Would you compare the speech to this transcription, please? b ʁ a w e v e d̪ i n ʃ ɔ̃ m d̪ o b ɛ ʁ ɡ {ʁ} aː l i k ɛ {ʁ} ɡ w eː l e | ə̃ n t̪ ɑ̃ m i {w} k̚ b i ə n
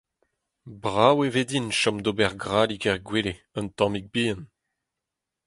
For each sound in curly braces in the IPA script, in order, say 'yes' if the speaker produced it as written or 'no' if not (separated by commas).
yes, yes, no